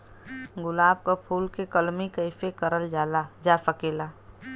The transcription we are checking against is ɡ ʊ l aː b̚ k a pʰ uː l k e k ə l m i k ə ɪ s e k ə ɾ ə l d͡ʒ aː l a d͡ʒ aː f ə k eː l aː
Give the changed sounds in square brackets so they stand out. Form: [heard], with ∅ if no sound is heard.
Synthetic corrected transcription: ɡ ʊ l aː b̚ k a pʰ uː l k e k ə l m i k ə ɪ [f] e k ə ɾ ə l d͡ʒ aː l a d͡ʒ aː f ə k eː l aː

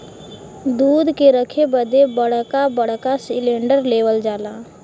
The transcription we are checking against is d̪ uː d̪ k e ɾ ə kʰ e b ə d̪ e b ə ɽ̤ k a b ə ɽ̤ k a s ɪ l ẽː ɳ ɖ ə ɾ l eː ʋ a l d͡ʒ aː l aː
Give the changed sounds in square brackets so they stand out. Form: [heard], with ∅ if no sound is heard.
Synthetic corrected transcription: d̪ uː d̪ k e ɾ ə kʰ e b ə d̪ e b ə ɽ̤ k a b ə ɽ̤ k a s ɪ l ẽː ɳ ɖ ə ɾ l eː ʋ [ə] l d͡ʒ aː l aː

